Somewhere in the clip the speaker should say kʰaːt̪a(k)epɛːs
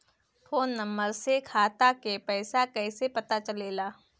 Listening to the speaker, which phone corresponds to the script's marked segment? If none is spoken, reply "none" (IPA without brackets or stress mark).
k